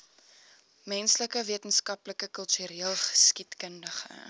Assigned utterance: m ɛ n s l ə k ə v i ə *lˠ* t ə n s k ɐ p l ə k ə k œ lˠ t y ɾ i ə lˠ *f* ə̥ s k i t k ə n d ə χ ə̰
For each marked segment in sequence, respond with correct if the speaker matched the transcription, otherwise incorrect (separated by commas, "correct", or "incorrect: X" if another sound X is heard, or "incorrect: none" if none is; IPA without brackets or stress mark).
incorrect: none, incorrect: χ